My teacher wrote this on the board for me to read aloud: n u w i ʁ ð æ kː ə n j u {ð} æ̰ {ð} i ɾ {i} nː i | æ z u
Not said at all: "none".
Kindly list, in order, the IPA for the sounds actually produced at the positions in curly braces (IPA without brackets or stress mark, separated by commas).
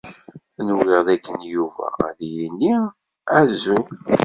v, ð, i